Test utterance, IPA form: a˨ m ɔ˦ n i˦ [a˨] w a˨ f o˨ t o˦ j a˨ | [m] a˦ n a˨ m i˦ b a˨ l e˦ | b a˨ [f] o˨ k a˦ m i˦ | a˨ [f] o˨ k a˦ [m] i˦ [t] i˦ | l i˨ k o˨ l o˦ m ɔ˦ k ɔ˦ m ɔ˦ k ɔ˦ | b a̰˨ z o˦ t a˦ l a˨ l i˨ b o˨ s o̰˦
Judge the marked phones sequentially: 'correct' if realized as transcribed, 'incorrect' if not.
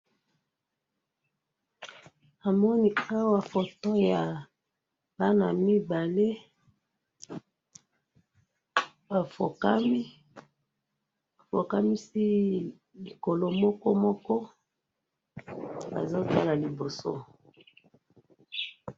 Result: incorrect, incorrect, correct, correct, correct, incorrect

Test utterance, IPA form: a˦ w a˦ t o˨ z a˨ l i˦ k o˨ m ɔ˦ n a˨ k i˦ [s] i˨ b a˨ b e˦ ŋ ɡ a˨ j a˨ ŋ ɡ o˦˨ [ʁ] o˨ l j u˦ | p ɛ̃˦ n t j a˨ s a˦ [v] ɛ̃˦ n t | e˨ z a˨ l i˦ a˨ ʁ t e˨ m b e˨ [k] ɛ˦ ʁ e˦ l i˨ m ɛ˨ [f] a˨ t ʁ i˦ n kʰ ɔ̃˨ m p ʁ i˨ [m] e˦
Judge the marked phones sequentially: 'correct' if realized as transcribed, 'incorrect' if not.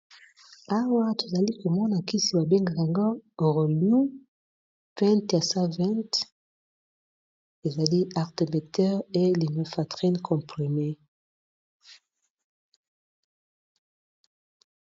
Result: correct, correct, correct, incorrect, correct, correct

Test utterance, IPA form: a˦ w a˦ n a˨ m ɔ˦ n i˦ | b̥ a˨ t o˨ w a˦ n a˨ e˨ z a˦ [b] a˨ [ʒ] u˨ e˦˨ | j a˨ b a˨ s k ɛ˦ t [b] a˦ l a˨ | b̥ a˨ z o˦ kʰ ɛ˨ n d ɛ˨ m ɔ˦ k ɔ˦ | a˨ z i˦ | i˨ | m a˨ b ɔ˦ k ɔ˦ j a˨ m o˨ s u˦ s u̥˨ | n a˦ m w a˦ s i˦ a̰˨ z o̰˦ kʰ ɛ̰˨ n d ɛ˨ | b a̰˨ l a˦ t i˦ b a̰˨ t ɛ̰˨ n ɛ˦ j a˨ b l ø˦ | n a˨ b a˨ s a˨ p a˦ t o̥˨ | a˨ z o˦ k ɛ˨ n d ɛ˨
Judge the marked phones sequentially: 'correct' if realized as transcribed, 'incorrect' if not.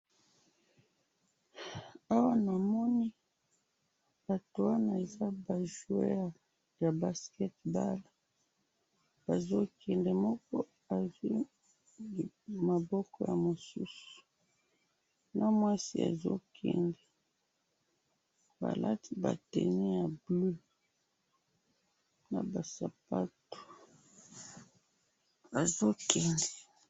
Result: correct, correct, correct

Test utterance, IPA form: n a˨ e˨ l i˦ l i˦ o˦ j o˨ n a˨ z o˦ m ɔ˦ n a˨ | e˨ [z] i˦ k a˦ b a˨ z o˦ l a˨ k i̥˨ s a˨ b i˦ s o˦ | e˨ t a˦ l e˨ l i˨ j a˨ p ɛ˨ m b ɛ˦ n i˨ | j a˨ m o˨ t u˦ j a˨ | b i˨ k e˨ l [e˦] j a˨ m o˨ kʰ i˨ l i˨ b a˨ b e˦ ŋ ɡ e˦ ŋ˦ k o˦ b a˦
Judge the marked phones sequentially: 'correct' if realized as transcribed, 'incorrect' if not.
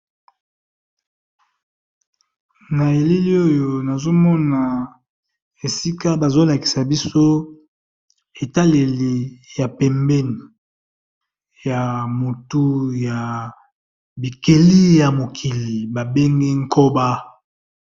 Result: incorrect, incorrect

